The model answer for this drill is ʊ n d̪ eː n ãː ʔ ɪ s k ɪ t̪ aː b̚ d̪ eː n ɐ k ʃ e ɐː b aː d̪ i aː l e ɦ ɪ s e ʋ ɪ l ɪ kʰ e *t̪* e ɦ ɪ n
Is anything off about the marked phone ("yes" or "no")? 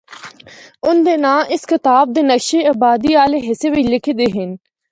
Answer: yes